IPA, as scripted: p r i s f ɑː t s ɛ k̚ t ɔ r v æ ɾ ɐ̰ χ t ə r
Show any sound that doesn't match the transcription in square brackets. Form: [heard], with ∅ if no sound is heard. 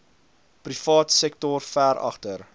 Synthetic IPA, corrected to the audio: p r i [∅] f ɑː t s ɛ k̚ t ɔ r [f] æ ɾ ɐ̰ χ t ə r